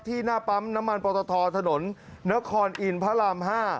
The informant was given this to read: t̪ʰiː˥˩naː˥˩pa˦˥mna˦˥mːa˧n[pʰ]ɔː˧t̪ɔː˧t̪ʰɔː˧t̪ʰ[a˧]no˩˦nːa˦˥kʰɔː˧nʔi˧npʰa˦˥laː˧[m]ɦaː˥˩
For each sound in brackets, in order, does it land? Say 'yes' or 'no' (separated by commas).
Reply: no, yes, yes